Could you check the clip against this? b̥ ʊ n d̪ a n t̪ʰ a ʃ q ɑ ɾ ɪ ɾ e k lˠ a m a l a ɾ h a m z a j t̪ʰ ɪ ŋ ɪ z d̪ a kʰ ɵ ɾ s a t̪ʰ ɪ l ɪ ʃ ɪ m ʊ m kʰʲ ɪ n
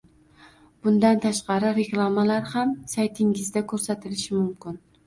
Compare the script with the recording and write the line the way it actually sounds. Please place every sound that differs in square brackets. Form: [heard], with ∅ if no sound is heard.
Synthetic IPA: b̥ ʊ n d̪ a n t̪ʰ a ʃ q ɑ ɾ ɪ ɾ e k lˠ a m a l a ɾ h a m [s] a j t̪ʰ ɪ ŋ ɪ z d̪ a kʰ ɵ ɾ s a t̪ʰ ɪ l ɪ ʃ ɪ m ʊ m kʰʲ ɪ n